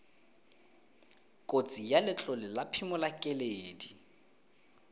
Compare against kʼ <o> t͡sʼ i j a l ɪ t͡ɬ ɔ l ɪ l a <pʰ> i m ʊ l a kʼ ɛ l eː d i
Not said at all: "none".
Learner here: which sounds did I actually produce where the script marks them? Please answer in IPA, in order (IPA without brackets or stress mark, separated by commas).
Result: o, pʰ